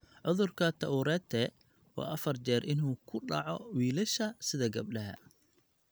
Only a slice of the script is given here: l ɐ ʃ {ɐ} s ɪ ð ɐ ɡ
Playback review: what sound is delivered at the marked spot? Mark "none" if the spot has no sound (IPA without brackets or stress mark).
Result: ɐ